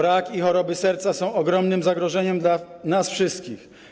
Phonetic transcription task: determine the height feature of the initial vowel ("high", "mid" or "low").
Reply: low